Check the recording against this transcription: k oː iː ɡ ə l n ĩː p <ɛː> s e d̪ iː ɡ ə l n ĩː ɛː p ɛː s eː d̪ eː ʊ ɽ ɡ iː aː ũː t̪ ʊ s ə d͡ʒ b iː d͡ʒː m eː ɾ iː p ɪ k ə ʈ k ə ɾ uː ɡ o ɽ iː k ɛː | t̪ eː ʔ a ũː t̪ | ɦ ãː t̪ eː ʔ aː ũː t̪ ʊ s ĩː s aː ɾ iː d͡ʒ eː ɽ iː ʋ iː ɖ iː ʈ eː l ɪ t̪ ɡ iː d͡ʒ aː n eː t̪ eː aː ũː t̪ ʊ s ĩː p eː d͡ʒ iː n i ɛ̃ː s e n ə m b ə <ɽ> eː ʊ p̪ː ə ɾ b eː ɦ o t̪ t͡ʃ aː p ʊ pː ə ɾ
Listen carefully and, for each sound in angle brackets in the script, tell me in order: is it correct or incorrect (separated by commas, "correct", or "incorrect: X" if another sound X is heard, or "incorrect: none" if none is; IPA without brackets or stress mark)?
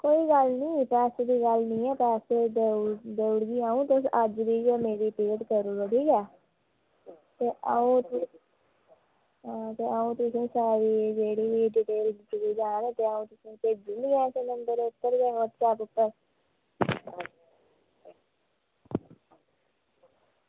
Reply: correct, incorrect: ɾ